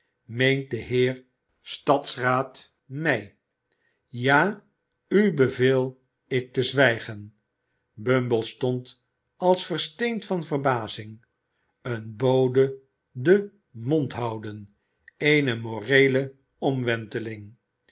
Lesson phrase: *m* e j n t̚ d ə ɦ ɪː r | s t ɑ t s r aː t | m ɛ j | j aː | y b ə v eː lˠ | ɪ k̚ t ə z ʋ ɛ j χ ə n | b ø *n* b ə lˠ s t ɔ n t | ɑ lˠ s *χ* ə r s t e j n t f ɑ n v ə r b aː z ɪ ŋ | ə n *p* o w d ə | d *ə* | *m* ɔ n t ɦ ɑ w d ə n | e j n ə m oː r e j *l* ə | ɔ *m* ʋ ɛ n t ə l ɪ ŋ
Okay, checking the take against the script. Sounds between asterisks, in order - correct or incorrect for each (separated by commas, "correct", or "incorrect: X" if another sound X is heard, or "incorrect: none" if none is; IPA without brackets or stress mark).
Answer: correct, incorrect: m, incorrect: f, incorrect: b, correct, correct, correct, correct